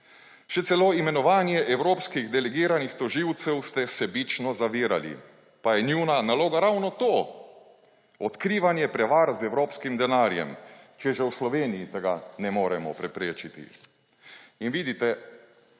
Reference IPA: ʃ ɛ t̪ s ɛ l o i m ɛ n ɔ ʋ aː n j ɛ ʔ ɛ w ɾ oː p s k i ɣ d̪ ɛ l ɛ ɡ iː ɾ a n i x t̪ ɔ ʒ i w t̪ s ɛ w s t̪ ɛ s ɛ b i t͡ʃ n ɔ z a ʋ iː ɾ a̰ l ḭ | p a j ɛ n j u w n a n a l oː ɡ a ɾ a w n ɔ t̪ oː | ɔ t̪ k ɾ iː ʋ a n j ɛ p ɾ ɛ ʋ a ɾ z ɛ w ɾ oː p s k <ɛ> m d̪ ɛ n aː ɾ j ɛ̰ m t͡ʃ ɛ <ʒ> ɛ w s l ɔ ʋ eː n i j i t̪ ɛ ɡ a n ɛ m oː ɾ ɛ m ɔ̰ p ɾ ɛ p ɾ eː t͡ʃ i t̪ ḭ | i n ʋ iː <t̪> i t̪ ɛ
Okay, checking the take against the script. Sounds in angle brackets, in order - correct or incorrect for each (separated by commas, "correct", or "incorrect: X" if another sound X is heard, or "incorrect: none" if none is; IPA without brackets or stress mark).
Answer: incorrect: i, correct, incorrect: d̪